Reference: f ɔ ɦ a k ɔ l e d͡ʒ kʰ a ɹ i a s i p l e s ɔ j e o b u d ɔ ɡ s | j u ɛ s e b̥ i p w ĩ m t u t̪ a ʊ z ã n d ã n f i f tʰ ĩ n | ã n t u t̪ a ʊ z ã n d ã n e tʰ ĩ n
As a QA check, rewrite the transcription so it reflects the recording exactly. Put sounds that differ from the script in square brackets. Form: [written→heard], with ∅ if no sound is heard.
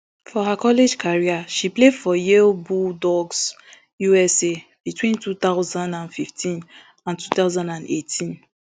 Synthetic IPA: f ɔ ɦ a k ɔ l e d͡ʒ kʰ a ɹ i a [s→ʃ] i p l e [s→f] ɔ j e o b u d ɔ ɡ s | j u ɛ s e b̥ i [p→t] w ĩ [m→n] t u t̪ a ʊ z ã n d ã n f i f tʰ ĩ n | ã n t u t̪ a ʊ z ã n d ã n e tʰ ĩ n